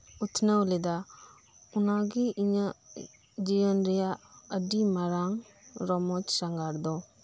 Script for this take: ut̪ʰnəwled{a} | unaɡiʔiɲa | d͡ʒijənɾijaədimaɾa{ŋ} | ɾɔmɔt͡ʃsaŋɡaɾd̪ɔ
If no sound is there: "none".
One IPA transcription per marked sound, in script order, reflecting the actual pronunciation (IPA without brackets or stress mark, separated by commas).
a, ŋ